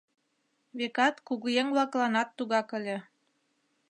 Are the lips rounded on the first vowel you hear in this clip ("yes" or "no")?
no